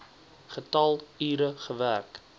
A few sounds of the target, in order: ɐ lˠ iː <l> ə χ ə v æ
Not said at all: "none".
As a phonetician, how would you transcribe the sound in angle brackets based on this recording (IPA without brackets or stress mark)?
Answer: ɾ